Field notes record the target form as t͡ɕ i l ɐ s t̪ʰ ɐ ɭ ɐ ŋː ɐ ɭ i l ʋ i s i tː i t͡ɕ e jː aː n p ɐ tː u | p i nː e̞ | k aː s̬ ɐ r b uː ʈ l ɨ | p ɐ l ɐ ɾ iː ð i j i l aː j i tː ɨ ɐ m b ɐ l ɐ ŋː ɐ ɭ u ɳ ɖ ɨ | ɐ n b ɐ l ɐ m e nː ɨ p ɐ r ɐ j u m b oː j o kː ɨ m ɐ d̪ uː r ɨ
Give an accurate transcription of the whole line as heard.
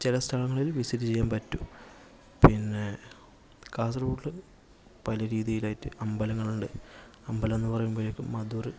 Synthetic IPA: t͡ɕ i l ɐ s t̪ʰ ɐ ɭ ɐ ŋː ɐ ɭ i l ʋ i s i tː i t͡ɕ e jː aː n p ɐ tː u | p i nː e̞ | k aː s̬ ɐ r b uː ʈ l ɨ | p ɐ l ɐ ɾ iː ð i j i l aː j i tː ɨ ɐ m b ɐ l ɐ ŋː ɐ ɭ u ɳ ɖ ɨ | ɐ m b ɐ l ɐ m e nː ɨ p ɐ r ɐ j u m b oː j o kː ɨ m ɐ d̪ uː r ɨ